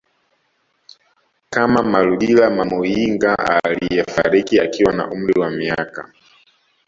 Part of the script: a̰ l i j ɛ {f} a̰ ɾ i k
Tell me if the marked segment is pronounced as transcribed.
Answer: yes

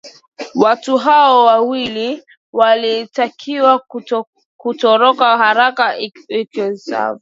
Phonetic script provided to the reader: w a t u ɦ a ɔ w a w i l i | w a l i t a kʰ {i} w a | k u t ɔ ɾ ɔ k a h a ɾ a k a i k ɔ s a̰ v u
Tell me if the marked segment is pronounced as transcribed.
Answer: yes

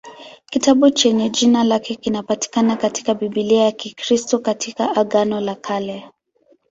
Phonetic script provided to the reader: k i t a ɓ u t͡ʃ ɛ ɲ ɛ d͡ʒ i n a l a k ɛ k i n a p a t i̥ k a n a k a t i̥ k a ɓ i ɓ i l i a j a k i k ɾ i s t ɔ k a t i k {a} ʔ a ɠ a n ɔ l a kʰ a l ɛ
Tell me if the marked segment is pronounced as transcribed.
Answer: yes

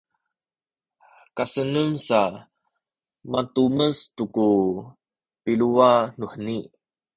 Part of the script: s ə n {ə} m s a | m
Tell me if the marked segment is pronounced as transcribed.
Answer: yes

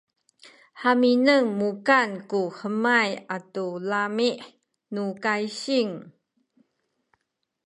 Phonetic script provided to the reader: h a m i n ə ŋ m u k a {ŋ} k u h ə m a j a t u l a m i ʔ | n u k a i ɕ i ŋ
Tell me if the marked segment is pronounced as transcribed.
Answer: no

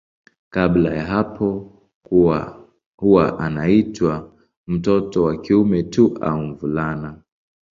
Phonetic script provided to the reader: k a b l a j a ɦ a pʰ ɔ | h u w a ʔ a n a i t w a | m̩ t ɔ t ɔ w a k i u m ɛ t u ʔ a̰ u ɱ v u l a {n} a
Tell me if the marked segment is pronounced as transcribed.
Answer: yes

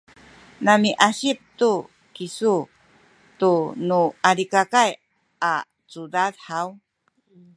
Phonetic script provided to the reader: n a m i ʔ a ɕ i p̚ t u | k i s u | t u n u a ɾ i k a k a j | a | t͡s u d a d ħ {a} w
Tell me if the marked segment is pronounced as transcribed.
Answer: yes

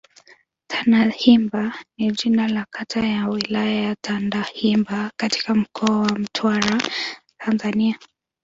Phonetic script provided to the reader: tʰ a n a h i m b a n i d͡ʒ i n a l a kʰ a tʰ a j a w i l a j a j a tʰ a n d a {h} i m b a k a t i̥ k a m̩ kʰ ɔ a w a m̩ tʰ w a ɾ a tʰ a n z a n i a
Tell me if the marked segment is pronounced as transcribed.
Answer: yes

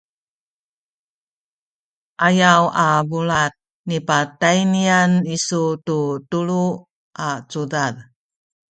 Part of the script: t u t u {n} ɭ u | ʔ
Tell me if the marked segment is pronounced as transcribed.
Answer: no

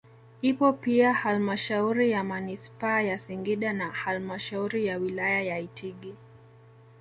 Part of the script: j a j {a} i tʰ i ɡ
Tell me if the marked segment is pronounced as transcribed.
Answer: yes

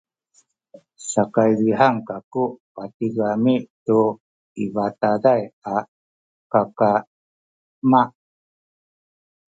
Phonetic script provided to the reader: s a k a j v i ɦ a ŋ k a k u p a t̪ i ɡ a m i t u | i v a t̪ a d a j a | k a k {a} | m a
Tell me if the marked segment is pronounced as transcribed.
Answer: yes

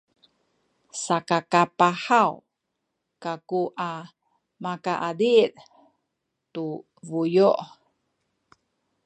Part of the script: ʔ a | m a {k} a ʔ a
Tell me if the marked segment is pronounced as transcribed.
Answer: yes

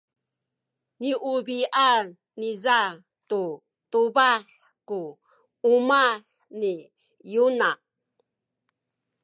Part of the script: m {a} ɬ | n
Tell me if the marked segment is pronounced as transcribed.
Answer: yes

